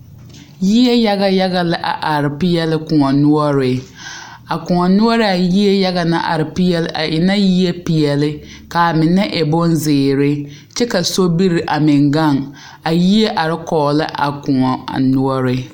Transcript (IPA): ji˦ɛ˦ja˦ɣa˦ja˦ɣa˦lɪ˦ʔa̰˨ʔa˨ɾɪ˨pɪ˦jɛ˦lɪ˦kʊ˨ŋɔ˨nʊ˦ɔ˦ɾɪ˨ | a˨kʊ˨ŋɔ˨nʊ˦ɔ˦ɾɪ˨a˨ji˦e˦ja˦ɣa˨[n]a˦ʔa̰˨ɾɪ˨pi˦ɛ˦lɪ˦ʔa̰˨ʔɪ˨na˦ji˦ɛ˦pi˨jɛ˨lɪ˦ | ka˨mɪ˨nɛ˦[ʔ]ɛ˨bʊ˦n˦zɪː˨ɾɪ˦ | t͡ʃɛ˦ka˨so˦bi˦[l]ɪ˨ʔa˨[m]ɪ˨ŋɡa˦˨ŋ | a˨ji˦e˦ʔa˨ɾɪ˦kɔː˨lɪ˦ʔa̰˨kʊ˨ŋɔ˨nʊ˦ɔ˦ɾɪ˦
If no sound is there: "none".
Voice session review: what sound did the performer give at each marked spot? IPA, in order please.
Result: n, ʔ, ɾ, m

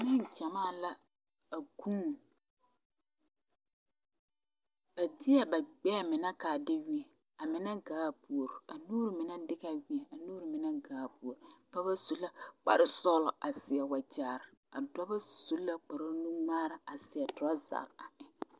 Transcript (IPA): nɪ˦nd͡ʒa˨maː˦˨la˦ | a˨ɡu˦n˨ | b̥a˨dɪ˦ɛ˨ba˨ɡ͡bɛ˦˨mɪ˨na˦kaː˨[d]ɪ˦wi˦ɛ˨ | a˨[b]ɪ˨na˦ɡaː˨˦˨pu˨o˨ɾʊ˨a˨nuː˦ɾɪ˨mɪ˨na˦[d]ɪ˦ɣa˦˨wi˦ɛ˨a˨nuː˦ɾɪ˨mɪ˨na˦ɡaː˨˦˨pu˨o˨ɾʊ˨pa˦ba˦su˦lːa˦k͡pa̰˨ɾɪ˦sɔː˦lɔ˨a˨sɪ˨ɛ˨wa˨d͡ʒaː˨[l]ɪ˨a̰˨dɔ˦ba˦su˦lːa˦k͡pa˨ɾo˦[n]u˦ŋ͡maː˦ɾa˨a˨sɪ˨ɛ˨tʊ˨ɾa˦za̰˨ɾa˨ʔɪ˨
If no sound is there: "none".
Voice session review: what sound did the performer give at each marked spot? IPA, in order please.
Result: d, m, d, ɾ, n

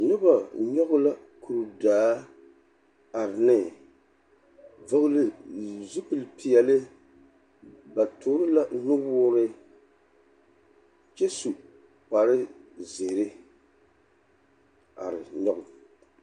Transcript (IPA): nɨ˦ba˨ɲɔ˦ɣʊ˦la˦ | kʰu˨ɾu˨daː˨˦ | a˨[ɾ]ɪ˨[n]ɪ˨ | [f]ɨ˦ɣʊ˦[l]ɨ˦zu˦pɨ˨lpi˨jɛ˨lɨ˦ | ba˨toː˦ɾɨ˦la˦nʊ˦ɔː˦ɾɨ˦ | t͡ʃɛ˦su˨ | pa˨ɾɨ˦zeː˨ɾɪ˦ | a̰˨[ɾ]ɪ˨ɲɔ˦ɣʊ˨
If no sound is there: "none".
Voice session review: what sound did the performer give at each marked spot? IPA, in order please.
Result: ɾ, n, v, l, ɾ

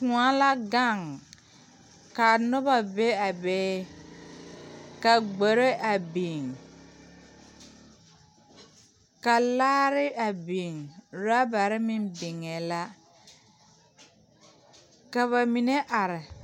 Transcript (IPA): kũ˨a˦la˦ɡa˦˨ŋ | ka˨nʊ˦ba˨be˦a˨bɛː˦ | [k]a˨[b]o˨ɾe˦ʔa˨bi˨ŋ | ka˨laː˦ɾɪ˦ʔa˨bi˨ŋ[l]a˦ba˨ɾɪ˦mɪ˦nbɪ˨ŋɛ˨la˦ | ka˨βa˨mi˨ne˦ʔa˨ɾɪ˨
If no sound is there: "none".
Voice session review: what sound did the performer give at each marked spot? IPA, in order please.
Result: k, ɡ͡b, ɾ

